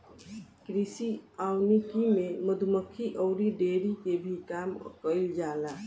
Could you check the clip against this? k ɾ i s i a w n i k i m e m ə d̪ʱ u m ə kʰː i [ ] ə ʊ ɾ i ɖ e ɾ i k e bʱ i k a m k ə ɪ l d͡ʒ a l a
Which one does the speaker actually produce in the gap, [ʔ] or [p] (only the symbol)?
ʔ